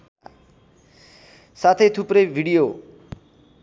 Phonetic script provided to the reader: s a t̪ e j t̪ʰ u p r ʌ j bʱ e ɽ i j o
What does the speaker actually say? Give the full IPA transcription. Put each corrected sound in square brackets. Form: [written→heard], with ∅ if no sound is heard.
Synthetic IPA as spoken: s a [t̪→t̪ʰ] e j t̪ʰ u p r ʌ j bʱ [e→i] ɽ i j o